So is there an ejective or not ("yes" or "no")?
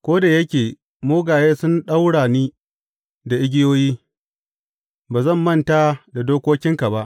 no